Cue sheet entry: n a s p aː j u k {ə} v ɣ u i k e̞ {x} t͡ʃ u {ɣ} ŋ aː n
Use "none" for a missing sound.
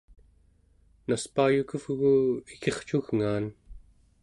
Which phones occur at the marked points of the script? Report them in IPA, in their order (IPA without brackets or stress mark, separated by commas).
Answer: ə, χ, ɣ